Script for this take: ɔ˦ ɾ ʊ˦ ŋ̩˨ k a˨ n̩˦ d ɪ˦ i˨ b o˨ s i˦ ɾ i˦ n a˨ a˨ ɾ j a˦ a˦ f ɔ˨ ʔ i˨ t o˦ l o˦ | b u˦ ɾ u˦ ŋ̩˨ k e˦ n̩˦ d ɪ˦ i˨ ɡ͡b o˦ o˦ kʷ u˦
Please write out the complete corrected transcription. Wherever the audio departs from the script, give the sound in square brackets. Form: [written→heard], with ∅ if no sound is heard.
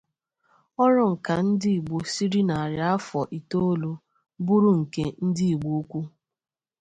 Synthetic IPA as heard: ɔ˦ ɾ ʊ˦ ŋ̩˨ k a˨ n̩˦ d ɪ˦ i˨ [b→ɡ͡b] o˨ s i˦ ɾ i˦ n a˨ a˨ ɾ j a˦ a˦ f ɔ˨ ʔ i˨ t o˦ l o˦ | b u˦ ɾ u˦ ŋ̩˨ k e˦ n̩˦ d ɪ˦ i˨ ɡ͡b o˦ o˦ kʷ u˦